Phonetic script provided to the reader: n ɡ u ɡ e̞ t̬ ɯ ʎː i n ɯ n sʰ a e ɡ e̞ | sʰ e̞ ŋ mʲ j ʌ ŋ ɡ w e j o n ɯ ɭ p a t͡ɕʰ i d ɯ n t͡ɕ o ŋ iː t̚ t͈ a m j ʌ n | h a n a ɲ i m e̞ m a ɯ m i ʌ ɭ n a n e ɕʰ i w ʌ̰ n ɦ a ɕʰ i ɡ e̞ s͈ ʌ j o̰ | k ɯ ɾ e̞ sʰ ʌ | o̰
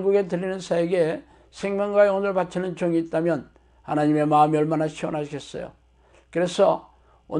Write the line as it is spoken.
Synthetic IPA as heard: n ɡ u ɡ e̞ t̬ ɯ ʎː i n ɯ n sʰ a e ɡ e̞ | sʰ e̞ ŋ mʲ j ʌ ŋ ɡ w a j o n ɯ ɭ p a t͡ɕʰ i n ɯ n t͡ɕ o ŋ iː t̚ t͈ a m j ʌ n | h a n a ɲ i m e̞ m a ɯ m i ʌ ɭ m a n a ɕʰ i w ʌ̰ n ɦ a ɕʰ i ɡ e̞ s͈ ʌ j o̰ | k ɯ ɾ e̞ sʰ ʌ | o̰